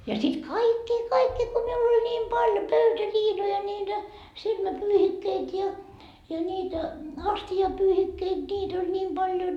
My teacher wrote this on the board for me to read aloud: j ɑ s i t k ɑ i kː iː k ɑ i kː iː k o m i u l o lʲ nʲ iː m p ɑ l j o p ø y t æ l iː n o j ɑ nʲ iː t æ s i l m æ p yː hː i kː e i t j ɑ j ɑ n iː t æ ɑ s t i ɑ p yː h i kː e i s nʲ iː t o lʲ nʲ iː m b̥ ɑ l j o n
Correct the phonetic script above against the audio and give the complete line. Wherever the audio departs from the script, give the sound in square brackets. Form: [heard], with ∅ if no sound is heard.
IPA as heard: j ɑ s i t k ɑ i kː iː k ɑ i kː iː k o m i u l o lʲ nʲ iː m p ɑ l j o p ø y t æ l iː n o j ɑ nʲ iː t æ s i l m æ p yː [h] i kː e i t j ɑ j ɑ n iː t æ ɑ s t i ɑ p yː h i kː e i [t] nʲ iː t o lʲ nʲ iː m b̥ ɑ l j o n